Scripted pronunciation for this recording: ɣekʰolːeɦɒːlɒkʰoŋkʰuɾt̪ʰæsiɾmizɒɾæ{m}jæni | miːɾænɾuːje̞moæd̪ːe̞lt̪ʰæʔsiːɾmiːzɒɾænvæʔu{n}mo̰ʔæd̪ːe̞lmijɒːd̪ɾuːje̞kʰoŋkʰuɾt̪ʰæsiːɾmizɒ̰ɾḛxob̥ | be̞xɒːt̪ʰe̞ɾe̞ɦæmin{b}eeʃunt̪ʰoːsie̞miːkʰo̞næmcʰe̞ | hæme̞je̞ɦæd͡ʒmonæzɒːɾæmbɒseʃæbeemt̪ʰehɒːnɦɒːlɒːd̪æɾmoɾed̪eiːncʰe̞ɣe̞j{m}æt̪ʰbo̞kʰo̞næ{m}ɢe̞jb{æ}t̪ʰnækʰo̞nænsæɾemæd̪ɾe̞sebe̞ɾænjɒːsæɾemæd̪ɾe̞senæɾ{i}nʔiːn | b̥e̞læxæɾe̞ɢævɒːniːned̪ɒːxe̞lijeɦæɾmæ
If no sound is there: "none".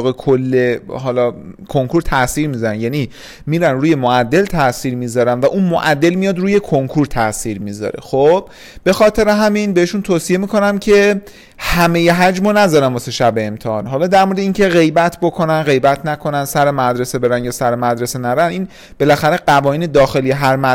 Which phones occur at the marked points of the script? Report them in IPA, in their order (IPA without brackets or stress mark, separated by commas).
n, n, b, b, n, æ, æ